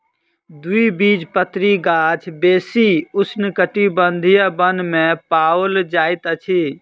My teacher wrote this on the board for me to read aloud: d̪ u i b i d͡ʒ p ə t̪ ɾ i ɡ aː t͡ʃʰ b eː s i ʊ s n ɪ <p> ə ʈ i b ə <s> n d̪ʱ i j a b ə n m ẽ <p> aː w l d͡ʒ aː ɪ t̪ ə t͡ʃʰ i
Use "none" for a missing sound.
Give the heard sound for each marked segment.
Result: k, none, p

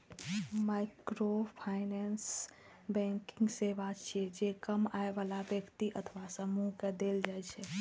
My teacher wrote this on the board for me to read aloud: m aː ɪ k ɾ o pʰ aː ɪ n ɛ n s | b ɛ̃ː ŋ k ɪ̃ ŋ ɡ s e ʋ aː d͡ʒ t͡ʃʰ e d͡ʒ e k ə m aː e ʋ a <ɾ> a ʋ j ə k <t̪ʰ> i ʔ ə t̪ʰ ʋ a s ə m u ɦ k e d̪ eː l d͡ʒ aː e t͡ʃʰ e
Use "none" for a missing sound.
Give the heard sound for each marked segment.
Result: l, t̪

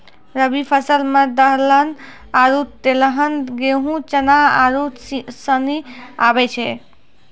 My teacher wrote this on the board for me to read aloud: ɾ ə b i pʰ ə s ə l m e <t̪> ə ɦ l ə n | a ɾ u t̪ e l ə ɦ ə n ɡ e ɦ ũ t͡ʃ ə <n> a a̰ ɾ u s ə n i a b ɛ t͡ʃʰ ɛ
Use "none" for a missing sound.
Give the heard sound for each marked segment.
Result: d̪, n

